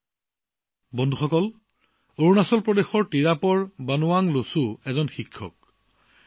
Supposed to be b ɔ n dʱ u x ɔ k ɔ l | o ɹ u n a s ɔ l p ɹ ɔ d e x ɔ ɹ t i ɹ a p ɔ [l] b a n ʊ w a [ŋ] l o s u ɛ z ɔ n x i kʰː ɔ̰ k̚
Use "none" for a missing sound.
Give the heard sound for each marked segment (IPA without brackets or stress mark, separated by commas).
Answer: ɹ, ŋ